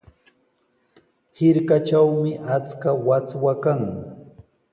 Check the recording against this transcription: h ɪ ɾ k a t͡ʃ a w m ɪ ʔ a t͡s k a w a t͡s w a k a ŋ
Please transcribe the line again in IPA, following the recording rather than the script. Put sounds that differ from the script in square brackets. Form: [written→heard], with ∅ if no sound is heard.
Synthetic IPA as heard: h ɪ ɾ k a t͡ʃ a w m ɪ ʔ a t͡s k a w a t͡s w a k a ŋ